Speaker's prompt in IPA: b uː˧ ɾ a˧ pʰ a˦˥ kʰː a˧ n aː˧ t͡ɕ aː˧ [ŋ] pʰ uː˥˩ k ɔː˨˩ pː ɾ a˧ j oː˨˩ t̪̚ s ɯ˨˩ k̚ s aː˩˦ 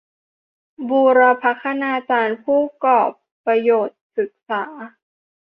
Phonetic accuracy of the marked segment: incorrect: n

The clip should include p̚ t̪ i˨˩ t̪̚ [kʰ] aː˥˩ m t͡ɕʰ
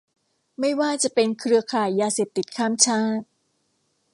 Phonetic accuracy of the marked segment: correct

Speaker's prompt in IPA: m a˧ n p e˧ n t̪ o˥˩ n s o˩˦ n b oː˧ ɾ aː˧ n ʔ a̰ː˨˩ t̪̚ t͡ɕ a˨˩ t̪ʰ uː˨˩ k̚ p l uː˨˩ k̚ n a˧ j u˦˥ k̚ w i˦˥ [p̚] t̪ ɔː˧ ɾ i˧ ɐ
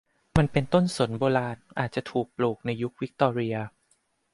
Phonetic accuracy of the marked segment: incorrect: k̚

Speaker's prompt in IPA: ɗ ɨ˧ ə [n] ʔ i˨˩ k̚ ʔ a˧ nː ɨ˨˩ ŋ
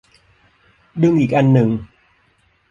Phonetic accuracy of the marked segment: incorrect: ŋ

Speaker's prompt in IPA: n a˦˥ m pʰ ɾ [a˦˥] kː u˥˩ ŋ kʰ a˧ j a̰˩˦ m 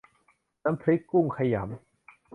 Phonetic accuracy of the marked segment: incorrect: i˦˥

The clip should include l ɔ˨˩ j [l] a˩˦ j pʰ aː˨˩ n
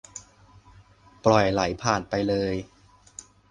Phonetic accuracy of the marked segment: correct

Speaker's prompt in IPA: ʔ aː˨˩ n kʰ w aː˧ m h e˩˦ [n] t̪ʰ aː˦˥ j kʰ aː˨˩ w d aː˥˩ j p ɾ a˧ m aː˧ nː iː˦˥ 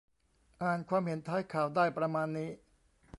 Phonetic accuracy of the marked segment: correct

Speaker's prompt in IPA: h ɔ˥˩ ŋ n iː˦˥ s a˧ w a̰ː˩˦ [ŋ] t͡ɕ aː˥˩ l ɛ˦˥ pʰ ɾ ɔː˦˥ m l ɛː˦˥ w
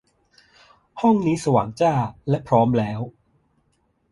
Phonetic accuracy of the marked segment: correct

